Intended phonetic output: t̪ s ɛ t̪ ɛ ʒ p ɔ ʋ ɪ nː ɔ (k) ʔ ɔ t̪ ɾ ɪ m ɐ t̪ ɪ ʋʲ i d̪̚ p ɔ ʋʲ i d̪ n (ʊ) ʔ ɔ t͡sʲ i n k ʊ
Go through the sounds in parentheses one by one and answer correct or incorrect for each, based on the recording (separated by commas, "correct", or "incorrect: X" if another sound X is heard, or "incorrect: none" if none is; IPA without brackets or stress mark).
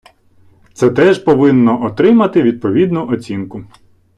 incorrect: none, correct